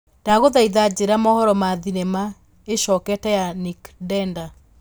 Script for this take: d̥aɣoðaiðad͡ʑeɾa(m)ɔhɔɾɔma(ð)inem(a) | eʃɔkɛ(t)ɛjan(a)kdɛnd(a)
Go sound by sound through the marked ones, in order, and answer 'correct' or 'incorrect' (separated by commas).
correct, correct, correct, correct, incorrect, correct